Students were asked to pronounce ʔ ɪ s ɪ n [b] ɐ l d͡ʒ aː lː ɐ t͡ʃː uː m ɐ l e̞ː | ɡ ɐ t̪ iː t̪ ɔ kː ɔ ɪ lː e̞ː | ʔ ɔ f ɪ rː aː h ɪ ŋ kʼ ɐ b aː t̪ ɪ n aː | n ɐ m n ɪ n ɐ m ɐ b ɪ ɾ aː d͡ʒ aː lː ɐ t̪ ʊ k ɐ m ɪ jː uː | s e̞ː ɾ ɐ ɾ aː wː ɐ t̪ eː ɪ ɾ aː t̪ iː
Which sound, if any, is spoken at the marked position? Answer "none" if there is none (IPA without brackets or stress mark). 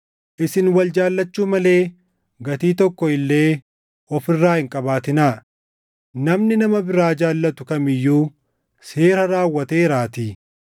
w